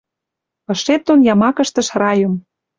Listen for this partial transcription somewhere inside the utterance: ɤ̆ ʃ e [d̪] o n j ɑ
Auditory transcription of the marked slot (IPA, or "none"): t̪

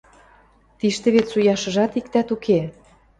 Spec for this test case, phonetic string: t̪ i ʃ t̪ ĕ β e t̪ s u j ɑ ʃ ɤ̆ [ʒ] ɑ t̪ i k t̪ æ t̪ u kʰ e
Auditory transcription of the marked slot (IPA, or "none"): ʒ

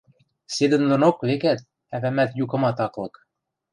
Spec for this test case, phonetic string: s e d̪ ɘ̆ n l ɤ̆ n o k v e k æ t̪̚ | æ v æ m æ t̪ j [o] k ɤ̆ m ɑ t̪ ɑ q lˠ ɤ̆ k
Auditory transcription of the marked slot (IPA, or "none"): u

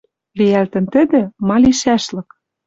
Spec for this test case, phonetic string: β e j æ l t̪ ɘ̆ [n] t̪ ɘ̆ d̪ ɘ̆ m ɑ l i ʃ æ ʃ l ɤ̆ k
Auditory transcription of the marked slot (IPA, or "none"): n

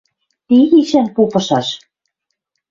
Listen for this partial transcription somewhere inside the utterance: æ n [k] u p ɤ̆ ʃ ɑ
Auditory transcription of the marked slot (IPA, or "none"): p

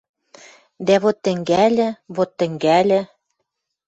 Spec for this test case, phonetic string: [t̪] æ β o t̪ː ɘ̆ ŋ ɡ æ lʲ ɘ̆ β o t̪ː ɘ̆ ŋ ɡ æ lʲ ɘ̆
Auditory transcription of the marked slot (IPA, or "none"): d̪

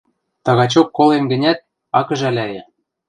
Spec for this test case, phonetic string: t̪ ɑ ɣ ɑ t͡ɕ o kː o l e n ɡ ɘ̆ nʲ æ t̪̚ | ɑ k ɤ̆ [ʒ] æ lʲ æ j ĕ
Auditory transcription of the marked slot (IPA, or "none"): ʒ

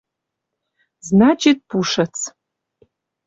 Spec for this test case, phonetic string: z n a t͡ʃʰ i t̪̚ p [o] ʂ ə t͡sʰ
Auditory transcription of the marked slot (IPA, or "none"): u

